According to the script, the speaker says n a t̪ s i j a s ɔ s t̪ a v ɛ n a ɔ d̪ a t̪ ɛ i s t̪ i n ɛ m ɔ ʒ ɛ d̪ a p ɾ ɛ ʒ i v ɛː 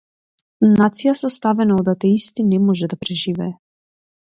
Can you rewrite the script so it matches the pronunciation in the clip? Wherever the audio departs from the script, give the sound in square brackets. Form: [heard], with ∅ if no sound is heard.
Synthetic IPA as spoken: n a t̪ s i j a s ɔ s t̪ a v ɛ n a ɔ d̪ a t̪ ɛ i s t̪ i n ɛ m ɔ ʒ ɛ d̪ a p ɾ ɛ ʒ i v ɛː